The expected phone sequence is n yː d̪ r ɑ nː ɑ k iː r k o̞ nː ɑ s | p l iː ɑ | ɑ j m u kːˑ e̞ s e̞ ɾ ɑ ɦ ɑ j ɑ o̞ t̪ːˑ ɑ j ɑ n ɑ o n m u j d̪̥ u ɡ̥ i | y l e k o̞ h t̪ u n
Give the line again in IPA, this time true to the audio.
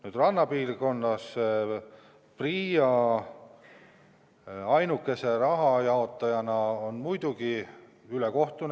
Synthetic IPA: n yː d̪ r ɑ nː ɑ p iː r k o̞ nː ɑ s | p r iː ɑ | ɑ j n u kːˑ e̞ s e̞ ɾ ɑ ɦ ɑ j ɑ o̞ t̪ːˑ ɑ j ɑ n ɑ o n m u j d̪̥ u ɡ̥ i | y l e k o̞ h t̪ u n